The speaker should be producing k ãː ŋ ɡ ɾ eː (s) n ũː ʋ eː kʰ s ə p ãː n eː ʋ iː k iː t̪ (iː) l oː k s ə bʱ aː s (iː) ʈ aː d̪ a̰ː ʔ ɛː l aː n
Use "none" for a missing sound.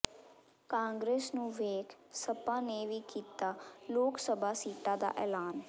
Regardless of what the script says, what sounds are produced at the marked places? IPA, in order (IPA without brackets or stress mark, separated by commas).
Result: s, aː, iː